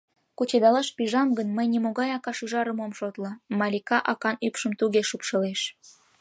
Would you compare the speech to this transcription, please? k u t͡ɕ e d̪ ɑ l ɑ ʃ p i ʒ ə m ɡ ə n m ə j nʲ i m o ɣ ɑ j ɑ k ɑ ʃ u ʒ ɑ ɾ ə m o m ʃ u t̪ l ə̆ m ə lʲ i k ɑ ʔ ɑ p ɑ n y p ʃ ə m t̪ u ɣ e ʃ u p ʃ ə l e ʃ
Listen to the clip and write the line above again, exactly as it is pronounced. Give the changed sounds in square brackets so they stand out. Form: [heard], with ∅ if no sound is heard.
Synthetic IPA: k u t͡ɕ e d̪ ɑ l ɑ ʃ p i ʒ [ɑ] m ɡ ə n m ə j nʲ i m o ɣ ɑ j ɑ k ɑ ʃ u ʒ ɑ ɾ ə m o m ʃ [o] t̪ l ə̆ m [ɑ] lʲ i k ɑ ʔ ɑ [k] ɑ n y p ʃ ə m t̪ u ɣ e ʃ u p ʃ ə l e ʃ